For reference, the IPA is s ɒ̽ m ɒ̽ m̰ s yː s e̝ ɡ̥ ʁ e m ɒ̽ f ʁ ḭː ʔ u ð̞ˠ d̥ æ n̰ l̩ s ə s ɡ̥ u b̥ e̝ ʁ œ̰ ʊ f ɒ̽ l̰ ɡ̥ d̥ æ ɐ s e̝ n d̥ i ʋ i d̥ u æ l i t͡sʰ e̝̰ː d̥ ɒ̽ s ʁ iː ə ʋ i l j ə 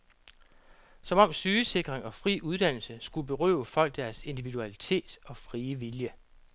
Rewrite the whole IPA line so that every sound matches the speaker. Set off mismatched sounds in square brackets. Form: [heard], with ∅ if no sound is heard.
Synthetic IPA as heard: s ɒ̽ m ɒ̽ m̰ s yː s e̝ ɡ̥ ʁ e [ŋ] ɒ̽ f ʁ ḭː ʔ u ð̞ˠ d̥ æ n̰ l̩ s ə s ɡ̥ u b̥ e̝ ʁ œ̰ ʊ f ɒ̽ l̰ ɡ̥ d̥ æ ɐ s e̝ n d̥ i ʋ i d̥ u æ l i t͡sʰ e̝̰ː d̥ ɒ̽ [f] ʁ iː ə ʋ i l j ə